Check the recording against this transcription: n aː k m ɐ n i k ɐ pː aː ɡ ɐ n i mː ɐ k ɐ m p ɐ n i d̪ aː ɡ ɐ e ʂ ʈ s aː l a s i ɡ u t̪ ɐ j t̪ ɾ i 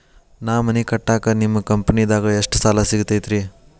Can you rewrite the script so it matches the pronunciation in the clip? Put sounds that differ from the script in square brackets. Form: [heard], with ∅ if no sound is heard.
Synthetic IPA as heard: n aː [∅] m ɐ n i k ɐ [ʈː] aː [k] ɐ n i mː ɐ k ɐ m p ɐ n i d̪ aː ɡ ɐ e ʂ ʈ s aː l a s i ɡ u t̪ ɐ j t̪ ɾ i